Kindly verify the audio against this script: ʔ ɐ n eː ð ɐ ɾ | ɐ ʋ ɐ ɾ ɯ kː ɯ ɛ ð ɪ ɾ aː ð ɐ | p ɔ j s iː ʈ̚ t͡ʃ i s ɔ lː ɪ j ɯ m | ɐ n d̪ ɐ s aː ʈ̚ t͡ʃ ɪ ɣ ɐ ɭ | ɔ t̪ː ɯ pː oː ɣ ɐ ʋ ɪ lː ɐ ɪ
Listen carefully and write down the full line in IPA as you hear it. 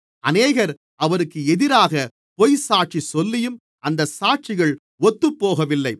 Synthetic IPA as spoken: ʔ ɐ n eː ɣ ɐ ɾ | ɐ ʋ ɐ ɾ ɯ kː ɯ ɛ ð ɪ ɾ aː ɣ ɐ | p ɔ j s aː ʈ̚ t͡ʃ i s ɔ lː ɪ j ɯ m | ɐ n d̪ ɐ s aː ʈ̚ t͡ʃ ɪ ɣ ɐ ɭ | ɔ t̪ː ɯ pː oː ɣ ɐ ʋ ɪ lː ɐ ɪ

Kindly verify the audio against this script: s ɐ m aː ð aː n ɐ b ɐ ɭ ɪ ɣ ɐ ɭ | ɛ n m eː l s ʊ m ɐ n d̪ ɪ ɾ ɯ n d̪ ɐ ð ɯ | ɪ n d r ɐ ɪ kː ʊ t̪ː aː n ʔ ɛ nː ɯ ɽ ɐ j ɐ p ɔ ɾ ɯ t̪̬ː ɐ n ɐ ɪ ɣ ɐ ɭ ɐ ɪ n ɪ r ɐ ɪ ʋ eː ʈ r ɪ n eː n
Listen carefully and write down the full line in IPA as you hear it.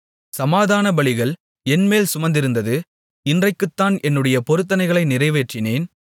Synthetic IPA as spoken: s ɐ m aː ð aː n ɐ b ɐ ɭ ɪ ɣ ɐ ɭ | ɛ n m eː l s ʊ m ɐ n d̪ ɪ ɾ ɯ n d̪ ɐ ð ɯ | ɪ n d r ɐ ɪ kː ɯ t̪ː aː n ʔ ɛ nː ɯ ɽ ɐ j ɐ p ɔ ɾ ɯ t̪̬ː ɐ n ɐ ɪ ɣ ɐ ɭ ɐ ɪ n ɪ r ɐ ɪ ʋ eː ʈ r ɪ n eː n

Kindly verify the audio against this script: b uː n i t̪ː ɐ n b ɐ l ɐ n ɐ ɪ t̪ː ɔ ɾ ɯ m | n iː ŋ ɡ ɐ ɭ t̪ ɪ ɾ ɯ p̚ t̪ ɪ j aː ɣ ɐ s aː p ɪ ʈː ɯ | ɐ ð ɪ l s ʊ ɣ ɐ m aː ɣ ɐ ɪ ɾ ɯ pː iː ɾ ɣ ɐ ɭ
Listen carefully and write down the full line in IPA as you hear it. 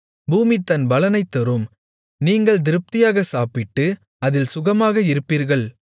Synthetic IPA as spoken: b uː m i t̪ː ɐ n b ɐ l ɐ n ɐ ɪ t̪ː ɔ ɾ ɯ m | n iː ŋ ɡ ɐ ɭ d̪ ɪ ɾ ɯ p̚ t̪ ɪ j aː ɣ ɐ s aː p ɪ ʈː ɯ | ɐ ð ɪ l s ʊ ɣ ɐ m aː ɣ ɐ ɪ ɾ ɯ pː iː ɾ ɣ ɐ ɭ

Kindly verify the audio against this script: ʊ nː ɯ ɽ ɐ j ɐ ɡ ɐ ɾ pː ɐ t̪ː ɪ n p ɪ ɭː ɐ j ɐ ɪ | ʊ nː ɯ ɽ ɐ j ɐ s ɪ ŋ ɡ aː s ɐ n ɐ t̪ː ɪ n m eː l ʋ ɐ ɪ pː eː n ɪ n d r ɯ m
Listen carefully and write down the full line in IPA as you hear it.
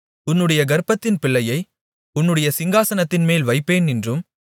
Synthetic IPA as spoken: ʊ nː ɯ ɽ ɐ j ɐ ɡ ɐ ɾ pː ɐ t̪ː ɪ n p ɪ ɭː ɐ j ɐ ɪ | ʊ nː ɯ ɽ ɐ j ɐ s ɪ ŋ ɡ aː s ɐ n ɐ t̪ː ɪ n m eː l ʋ ɐ ɪ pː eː n ɪ n d r ɯ m

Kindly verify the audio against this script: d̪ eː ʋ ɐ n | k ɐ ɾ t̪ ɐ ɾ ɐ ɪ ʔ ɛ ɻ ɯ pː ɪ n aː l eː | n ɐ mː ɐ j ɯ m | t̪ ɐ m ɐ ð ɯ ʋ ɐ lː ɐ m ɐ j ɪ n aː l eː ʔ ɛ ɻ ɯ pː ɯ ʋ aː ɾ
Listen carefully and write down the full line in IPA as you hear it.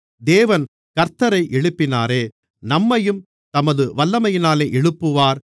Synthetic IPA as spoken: d̪ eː ʋ ɐ n | k ɐ ɾ t̪ ɐ ɾ ɐ ɪ ʔ ɛ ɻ ɯ pː ɪ n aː ɾ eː | n ɐ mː ɐ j ɯ m | t̪ ɐ m ɐ ð ɯ ʋ ɐ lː ɐ m ɐ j ɪ n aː l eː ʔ ɛ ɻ ɯ pː ɯ ʋ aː ɾ

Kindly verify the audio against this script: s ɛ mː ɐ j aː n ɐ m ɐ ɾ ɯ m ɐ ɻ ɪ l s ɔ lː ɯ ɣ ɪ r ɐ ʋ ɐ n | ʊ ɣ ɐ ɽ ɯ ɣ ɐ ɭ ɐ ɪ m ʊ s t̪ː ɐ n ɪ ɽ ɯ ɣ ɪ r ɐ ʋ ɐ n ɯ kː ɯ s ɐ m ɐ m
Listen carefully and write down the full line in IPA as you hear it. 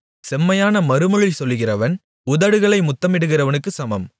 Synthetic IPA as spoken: s ɛ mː ɐ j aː n ɐ m ɐ ɾ ɯ m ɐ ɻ ɪ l s ɔ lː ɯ ɣ ɪ r ɐ ʋ ɐ n | ʊ ð ɐ ɽ ɯ ɣ ɐ ɭ ɐ ɪ m ʊ t̪ː ɐ m ɪ ɽ ɯ ɣ ɪ r ɐ ʋ ɐ n ɯ kː ɯ s ɐ m ɐ m

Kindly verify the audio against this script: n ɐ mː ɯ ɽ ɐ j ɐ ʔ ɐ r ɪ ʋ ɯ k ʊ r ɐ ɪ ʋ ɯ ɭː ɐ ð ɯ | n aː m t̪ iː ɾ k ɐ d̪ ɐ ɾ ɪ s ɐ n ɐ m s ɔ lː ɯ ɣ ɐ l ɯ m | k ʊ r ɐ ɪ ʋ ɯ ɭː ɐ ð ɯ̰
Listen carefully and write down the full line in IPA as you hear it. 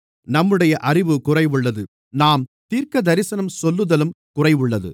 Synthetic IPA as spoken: n ɐ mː ɯ ɽ ɐ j ɐ ʔ ɐ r ɪ ʋ ɯ k ʊ r ɐ ɪ ʋ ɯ ɭː ɐ ð ɯ | n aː m t̪ iː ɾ k ɐ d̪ ɐ ɾ ɪ s ɐ n ɐ m s ɔ lː ɯ ð ɐ l ɯ m | k ʊ r ɐ ɪ ʋ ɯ ɭː ɐ ð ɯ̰

